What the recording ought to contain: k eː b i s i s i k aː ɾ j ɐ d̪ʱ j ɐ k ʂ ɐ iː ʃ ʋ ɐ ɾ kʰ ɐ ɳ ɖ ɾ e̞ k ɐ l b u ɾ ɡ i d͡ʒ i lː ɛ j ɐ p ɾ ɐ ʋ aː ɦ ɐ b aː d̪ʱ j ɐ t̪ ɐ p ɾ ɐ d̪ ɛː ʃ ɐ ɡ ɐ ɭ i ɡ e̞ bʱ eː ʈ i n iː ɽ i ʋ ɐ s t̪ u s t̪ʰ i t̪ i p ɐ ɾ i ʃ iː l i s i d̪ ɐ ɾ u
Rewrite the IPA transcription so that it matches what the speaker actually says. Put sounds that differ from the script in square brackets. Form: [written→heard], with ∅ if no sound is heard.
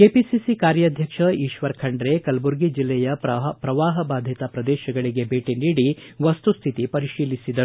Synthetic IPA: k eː [b→p] i s i s i k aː ɾ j ɐ d̪ʱ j ɐ k ʂ ɐ iː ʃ ʋ ɐ ɾ kʰ ɐ ɳ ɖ ɾ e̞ k ɐ l b u ɾ ɡ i d͡ʒ i lː ɛ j ɐ p ɾ ɐ ʋ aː ɦ ɐ b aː d̪ʱ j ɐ t̪ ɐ p ɾ ɐ d̪ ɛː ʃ ɐ ɡ ɐ ɭ i ɡ e̞ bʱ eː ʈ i n iː ɽ i ʋ ɐ s t̪ u s t̪ʰ i t̪ i p ɐ ɾ i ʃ iː l i s i d̪ ɐ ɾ u

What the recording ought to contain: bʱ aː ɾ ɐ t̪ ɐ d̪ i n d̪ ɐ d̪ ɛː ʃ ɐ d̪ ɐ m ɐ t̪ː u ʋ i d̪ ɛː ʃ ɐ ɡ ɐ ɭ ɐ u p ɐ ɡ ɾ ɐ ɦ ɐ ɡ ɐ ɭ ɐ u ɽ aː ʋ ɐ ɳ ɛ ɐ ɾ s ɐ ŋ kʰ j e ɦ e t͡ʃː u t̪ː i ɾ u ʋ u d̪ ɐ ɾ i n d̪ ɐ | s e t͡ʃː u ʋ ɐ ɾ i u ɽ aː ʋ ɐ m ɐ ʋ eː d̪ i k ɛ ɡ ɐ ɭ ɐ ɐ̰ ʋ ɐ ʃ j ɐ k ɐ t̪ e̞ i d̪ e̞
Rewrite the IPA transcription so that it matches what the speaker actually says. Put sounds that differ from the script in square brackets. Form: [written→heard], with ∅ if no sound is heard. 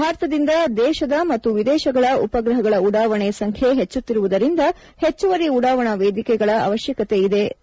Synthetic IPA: bʱ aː ɾ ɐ t̪ ɐ d̪ i n d̪ ɐ d̪ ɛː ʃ ɐ d̪ ɐ m ɐ t̪ː u ʋ i d̪ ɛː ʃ ɐ ɡ ɐ ɭ ɐ u p ɐ ɡ ɾ ɐ ɦ ɐ ɡ ɐ ɭ ɐ u ɽ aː ʋ ɐ ɳ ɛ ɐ [ɾ→∅] s ɐ ŋ kʰ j e ɦ e t͡ʃː u t̪ː i ɾ u ʋ u d̪ ɐ ɾ i n d̪ ɐ | [s→h] e t͡ʃː u ʋ ɐ ɾ i u ɽ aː ʋ ɐ [m→ɳ] ɐ ʋ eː d̪ i k ɛ ɡ ɐ ɭ ɐ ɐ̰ ʋ ɐ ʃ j ɐ k ɐ t̪ e̞ i d̪ e̞

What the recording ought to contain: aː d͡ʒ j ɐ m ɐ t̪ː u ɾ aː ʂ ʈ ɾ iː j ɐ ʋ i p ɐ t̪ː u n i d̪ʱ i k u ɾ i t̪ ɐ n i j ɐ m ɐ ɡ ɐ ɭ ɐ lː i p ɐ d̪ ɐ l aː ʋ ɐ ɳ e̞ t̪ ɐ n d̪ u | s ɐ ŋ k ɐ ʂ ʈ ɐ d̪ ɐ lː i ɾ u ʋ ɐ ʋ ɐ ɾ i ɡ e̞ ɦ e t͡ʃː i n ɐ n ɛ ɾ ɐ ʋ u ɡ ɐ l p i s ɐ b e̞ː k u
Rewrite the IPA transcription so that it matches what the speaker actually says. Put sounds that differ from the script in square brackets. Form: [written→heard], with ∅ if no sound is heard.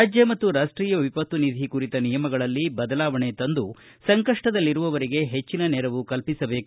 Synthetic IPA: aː d͡ʒ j ɐ m ɐ t̪ː u ɾ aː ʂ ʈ ɾ iː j ɐ ʋ i p ɐ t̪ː u n i d̪ʱ i k u ɾ i t̪ ɐ n i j ɐ m ɐ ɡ ɐ ɭ ɐ lː i [p→b] ɐ d̪ ɐ l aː ʋ ɐ ɳ e̞ t̪ ɐ n d̪ u | s ɐ ŋ k ɐ ʂ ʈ ɐ d̪ ɐ lː i ɾ u ʋ ɐ ʋ ɐ ɾ i ɡ e̞ ɦ e t͡ʃː i n ɐ n ɛ ɾ ɐ ʋ u [ɡ→k] ɐ l p i s ɐ b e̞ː k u

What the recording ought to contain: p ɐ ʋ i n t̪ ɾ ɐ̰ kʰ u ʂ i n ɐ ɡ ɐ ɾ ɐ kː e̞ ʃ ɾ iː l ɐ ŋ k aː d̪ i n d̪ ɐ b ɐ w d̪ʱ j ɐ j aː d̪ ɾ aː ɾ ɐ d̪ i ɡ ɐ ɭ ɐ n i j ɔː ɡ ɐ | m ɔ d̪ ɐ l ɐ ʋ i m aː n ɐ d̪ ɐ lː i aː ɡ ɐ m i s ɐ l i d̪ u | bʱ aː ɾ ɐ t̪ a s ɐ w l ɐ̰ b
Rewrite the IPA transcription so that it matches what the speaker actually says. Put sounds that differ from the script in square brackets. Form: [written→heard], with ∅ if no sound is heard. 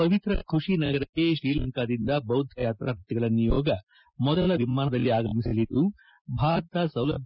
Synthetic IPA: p ɐ ʋ i [n→∅] t̪ ɾ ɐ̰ kʰ u ʂ i n ɐ ɡ ɐ ɾ ɐ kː e̞ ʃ ɾ iː l ɐ ŋ k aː d̪ i n d̪ ɐ b ɐ w d̪ʱ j ɐ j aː [d̪→t̪] ɾ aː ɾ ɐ [d̪→t̪] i ɡ ɐ ɭ ɐ n i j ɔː ɡ ɐ | m ɔ d̪ ɐ l ɐ ʋ i m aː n ɐ d̪ ɐ lː i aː ɡ ɐ m i s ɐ l i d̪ u | bʱ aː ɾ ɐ t̪ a s ɐ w l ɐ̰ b

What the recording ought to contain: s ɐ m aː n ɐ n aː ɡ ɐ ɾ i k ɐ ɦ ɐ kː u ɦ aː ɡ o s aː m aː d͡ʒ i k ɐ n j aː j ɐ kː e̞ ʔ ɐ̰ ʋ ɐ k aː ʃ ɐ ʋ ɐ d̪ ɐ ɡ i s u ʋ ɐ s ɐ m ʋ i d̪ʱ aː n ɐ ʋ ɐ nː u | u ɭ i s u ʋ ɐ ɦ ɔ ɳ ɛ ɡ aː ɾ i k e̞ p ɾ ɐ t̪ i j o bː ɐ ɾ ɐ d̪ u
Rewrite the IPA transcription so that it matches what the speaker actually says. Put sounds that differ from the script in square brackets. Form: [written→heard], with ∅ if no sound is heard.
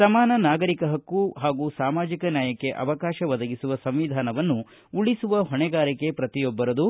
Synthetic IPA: s ɐ m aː n ɐ n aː ɡ ɐ ɾ i k ɐ ɦ ɐ kː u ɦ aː ɡ [o→u] s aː m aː d͡ʒ i k ɐ n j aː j ɐ kː e̞ ʔ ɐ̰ ʋ ɐ k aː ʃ ɐ ʋ ɐ d̪ ɐ ɡ i s u ʋ ɐ s ɐ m ʋ i d̪ʱ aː n ɐ ʋ ɐ nː u | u ɭ i s u ʋ ɐ ɦ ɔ ɳ ɛ ɡ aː ɾ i k e̞ p ɾ ɐ t̪ i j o bː ɐ ɾ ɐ d̪ u

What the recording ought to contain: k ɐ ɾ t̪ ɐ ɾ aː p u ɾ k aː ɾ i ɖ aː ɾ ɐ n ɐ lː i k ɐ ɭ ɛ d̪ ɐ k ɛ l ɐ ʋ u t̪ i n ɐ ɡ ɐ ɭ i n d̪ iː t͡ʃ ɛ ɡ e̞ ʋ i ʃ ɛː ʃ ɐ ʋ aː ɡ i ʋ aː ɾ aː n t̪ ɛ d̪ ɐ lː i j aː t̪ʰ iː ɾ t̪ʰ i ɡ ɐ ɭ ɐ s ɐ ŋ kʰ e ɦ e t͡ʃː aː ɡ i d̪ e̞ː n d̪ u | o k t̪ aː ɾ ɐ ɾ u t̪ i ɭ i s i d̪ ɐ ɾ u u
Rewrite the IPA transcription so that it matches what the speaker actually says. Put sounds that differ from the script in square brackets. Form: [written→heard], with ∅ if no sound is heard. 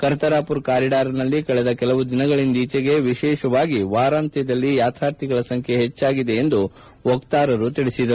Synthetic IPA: k ɐ ɾ t̪ ɐ ɾ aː p u ɾ k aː ɾ i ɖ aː ɾ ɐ n ɐ lː i k ɐ ɭ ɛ d̪ ɐ k ɛ l ɐ ʋ u [t̪→d̪] i n ɐ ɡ ɐ ɭ i n d̪ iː t͡ʃ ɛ ɡ e̞ ʋ i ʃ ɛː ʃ ɐ ʋ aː ɡ i ʋ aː ɾ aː n t̪ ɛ d̪ ɐ lː i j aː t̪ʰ [iː→aː] ɾ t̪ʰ i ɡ ɐ ɭ ɐ s ɐ ŋ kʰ e ɦ e t͡ʃː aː ɡ i d̪ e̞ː n d̪ u | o k t̪ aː ɾ ɐ ɾ u t̪ i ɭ i s i d̪ ɐ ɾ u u

